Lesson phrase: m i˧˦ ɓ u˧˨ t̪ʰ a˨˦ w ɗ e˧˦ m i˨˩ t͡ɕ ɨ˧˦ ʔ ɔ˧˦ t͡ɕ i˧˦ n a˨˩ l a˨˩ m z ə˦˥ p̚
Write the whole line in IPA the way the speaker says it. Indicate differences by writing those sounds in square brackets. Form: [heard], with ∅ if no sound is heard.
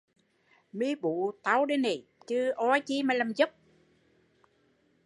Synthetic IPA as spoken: m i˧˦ ɓ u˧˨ [t̪] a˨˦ w ɗ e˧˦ [n] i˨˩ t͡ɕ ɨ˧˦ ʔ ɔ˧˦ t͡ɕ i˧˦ [m] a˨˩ l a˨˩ m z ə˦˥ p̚